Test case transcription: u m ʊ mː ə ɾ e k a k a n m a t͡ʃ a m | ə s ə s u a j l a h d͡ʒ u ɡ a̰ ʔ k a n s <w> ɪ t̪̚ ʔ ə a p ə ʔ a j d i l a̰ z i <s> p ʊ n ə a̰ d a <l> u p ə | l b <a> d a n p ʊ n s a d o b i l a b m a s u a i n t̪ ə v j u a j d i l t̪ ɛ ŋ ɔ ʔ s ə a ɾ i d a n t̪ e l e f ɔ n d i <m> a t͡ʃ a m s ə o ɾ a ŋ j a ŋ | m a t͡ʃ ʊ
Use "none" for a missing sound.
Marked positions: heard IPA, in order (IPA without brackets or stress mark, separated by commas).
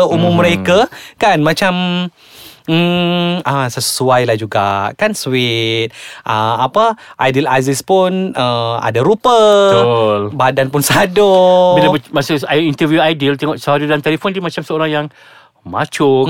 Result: w, s, ɾ, a, m